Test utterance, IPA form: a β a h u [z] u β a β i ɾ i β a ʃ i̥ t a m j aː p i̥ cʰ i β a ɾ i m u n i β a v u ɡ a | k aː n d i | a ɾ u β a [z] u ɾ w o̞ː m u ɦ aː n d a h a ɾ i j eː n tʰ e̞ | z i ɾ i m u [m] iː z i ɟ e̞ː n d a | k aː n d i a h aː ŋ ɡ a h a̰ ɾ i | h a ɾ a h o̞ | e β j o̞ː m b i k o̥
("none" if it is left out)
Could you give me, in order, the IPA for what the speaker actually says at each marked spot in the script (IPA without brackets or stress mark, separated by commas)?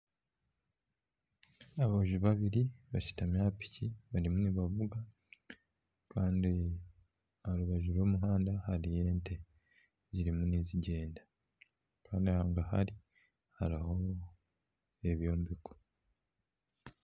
ʒ, ʒ, n